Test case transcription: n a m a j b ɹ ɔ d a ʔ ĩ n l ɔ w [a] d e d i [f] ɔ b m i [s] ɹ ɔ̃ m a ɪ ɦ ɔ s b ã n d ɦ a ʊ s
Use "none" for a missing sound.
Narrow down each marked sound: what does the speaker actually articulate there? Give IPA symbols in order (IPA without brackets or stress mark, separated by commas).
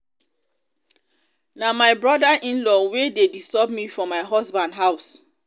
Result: e, s, f